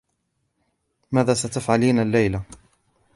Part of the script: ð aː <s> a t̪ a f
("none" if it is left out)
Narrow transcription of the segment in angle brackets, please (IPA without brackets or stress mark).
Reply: s